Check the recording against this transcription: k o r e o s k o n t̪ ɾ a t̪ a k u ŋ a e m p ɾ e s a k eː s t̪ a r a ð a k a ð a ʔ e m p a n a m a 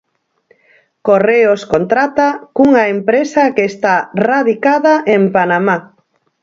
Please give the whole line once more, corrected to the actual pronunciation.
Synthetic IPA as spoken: k o r e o s k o n t̪ ɾ a t̪ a k u ŋ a e m p ɾ e s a k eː s t̪ a r a ð i k a ð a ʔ e m p a n a m a